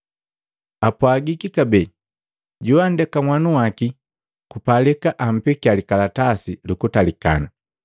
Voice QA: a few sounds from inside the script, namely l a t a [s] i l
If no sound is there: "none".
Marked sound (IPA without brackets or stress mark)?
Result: s